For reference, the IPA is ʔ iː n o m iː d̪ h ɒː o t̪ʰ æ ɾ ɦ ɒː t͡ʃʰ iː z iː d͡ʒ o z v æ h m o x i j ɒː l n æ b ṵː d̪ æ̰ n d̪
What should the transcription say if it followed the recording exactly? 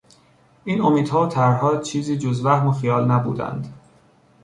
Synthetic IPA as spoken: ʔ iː n o m iː d̪ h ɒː o t̪ʰ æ ɾ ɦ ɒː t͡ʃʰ iː z iː d͡ʒ o z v æ h m o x i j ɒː l n æ b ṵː d̪ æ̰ n d̪